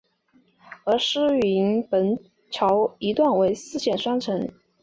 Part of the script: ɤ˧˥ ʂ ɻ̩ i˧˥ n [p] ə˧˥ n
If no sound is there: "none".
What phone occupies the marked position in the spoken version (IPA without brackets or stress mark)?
p